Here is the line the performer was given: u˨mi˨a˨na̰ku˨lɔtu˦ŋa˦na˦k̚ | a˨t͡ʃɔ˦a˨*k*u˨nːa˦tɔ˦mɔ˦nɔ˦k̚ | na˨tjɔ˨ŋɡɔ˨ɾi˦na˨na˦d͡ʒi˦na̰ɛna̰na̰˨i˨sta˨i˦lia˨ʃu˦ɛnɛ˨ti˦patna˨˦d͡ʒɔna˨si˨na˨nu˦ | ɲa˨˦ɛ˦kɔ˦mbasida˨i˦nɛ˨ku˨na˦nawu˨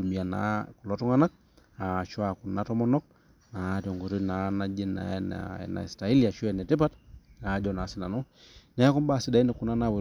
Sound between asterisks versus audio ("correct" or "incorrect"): correct